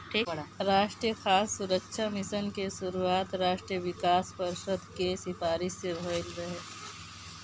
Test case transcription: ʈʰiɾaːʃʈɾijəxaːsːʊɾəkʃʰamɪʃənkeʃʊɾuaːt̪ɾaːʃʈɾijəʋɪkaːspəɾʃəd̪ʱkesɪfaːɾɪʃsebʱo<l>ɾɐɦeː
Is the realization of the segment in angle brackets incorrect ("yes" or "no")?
no